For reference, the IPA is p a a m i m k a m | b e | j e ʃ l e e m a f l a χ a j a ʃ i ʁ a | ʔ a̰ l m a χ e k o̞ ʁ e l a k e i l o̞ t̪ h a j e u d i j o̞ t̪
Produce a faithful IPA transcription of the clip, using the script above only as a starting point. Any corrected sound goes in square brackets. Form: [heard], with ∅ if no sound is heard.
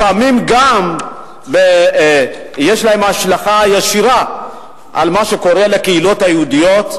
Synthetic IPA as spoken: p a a m i m [ɡ] a m | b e | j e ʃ l [a] e m a [ʃ] l a χ a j a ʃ i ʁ a | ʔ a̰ l m a [ʃ] e k o̞ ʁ e l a k e i l o̞ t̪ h a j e u d i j o̞ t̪